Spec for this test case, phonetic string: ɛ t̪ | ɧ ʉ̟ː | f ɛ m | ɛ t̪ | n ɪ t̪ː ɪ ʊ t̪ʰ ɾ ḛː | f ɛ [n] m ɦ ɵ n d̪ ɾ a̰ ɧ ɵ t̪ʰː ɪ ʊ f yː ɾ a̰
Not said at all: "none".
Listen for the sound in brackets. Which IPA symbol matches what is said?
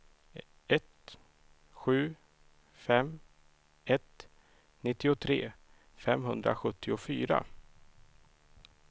none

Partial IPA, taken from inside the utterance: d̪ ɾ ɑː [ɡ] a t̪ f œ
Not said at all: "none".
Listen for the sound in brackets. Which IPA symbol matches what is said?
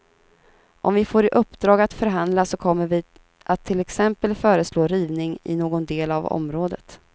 ɡ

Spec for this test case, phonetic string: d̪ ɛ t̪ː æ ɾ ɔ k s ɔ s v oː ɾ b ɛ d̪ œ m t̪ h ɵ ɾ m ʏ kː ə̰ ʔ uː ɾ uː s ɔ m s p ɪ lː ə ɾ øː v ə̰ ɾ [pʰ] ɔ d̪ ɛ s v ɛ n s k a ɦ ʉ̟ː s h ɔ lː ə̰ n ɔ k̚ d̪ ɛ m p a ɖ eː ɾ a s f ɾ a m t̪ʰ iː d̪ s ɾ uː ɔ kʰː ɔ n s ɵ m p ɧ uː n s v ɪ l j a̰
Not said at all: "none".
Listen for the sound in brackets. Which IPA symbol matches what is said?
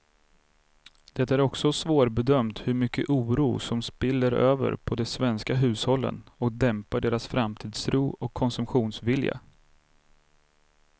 pʰ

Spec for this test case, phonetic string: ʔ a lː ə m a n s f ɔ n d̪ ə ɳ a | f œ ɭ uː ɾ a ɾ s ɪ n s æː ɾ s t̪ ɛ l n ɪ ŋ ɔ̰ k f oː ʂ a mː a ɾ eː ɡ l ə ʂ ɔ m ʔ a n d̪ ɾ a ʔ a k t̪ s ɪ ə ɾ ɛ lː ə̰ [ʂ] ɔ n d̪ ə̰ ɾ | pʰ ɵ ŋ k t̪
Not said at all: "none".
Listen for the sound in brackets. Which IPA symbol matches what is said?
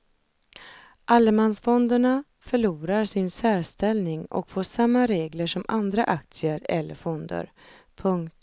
f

